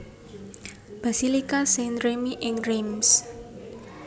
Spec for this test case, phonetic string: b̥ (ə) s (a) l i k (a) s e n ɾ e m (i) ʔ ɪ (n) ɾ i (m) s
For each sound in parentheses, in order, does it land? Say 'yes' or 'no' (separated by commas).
no, no, yes, yes, no, yes